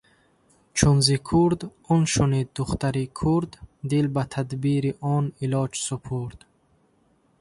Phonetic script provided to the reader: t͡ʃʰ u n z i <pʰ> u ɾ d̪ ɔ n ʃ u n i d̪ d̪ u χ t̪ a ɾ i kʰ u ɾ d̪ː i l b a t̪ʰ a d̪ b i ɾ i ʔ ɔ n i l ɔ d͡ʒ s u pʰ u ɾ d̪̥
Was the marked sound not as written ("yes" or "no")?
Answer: yes